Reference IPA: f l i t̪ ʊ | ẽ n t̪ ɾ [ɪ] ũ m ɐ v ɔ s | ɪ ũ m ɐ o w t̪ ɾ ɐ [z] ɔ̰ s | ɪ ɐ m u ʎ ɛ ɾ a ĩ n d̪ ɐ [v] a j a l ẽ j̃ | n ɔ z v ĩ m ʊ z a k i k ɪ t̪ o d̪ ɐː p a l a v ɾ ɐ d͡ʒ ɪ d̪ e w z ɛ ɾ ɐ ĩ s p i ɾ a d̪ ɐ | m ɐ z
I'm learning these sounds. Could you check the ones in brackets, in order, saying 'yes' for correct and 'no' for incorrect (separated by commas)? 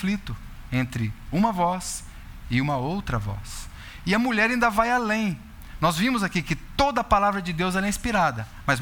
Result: yes, no, yes